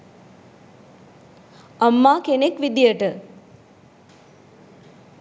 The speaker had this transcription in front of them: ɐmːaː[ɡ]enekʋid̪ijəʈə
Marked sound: incorrect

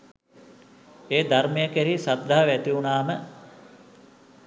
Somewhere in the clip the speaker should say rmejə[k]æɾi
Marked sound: correct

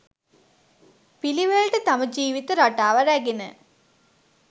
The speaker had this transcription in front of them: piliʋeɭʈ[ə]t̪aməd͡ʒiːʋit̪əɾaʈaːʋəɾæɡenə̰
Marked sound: correct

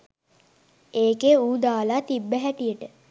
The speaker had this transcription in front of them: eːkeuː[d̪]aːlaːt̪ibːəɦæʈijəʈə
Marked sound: correct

